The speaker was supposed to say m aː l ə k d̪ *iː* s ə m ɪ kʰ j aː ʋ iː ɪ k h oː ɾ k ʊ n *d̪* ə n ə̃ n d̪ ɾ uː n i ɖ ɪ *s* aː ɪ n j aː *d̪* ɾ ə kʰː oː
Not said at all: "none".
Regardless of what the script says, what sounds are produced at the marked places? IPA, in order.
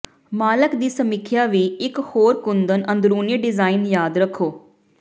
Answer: iː, d̪, z, d̪

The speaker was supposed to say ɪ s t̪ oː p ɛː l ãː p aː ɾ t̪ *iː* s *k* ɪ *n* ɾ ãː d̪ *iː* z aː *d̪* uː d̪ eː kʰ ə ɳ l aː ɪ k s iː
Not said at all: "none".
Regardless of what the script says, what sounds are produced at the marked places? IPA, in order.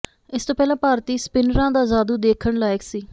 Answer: iː, p, n, aː, d̪

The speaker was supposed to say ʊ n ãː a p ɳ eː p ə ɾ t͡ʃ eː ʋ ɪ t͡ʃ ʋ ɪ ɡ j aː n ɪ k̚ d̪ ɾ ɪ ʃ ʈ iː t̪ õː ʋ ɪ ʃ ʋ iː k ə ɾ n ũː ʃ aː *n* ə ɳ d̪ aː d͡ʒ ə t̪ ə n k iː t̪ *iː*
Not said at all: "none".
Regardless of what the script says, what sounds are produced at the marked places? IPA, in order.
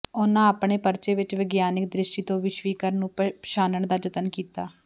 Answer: n, aː

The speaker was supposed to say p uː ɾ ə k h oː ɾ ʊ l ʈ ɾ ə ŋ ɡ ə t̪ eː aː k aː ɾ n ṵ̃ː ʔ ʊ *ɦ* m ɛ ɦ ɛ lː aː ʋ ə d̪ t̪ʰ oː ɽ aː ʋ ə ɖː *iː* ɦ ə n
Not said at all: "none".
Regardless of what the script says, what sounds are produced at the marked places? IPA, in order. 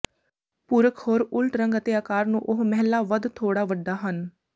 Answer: ɦ, aː

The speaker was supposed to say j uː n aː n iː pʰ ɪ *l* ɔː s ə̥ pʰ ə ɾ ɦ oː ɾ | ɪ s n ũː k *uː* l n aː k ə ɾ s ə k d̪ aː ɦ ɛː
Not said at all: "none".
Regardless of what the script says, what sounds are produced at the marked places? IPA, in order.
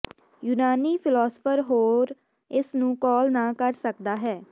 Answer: l, ɔː

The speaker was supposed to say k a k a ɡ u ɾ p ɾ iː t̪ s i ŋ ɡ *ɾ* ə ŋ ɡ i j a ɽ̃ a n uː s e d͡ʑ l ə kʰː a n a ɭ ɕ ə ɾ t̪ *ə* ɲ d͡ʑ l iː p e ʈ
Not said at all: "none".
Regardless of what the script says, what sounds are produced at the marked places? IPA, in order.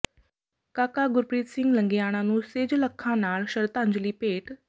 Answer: l, a

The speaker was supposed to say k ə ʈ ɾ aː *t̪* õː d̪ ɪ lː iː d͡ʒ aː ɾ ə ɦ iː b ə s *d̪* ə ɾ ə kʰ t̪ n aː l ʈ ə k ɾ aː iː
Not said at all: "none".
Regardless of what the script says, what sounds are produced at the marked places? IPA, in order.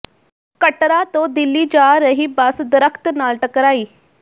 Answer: t̪, d̪

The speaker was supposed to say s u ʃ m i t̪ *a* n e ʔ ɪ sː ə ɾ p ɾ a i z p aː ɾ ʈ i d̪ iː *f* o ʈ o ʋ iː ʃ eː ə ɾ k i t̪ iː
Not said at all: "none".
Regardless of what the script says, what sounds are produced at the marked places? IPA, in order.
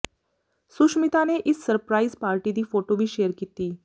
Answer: a, f

